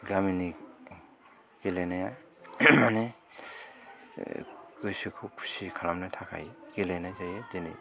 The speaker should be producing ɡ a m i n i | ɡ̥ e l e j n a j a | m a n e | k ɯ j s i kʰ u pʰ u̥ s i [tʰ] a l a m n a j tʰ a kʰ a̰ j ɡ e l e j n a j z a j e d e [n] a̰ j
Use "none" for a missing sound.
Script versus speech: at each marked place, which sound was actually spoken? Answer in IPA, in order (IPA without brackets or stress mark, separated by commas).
kʰ, n